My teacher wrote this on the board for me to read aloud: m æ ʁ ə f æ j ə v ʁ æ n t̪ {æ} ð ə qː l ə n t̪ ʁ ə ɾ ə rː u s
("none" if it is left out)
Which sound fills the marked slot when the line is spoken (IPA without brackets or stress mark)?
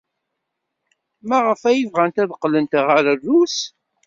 æ